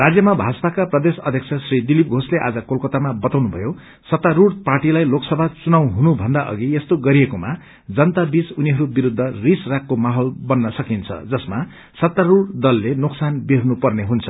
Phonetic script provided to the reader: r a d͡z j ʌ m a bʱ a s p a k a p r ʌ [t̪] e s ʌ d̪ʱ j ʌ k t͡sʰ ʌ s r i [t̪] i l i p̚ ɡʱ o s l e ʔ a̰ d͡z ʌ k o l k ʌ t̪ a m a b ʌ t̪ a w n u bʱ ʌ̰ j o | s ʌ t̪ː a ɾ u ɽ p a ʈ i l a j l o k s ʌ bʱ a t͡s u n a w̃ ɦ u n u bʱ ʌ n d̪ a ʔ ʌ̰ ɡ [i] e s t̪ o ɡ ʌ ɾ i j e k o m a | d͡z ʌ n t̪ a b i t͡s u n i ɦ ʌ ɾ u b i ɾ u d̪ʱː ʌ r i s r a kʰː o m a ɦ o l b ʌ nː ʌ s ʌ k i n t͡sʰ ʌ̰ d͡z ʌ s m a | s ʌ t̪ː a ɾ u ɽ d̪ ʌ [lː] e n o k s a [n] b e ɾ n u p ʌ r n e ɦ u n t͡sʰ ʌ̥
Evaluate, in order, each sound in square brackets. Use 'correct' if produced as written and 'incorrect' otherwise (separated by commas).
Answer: incorrect, incorrect, correct, correct, correct